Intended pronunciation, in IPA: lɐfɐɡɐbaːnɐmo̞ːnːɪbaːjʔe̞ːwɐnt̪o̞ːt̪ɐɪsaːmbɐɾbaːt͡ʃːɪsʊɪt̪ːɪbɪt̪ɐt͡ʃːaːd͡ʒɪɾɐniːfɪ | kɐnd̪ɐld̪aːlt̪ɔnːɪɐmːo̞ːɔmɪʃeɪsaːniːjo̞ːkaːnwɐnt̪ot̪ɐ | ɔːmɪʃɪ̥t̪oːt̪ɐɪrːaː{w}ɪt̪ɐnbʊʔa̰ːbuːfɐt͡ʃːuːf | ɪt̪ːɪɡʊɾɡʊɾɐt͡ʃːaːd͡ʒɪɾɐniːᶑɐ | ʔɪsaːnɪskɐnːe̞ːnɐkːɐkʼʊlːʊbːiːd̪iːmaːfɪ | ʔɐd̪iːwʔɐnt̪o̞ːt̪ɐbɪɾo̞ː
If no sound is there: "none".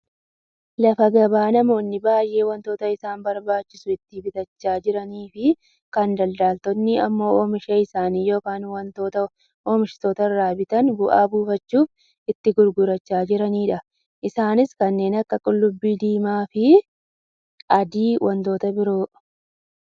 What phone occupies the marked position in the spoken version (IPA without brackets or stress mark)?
b